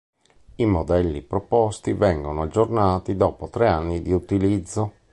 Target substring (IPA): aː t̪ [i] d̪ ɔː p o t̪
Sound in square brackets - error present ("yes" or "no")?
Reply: no